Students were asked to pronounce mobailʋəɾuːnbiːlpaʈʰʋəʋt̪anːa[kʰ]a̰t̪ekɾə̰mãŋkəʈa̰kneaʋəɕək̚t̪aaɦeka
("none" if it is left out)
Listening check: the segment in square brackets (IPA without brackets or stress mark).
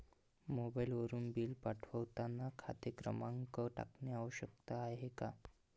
kʰ